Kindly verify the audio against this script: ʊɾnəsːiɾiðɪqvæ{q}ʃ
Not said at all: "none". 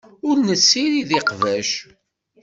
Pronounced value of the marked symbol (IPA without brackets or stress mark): none